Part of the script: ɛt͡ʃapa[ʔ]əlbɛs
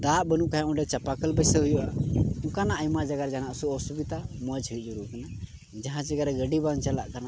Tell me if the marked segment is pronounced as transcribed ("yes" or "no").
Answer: no